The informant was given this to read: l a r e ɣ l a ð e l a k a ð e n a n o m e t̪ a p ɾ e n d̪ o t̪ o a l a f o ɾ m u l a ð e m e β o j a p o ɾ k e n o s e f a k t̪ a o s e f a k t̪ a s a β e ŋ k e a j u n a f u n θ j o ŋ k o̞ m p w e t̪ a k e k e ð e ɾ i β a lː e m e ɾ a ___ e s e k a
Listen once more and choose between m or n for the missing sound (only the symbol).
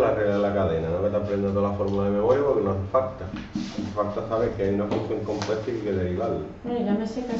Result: m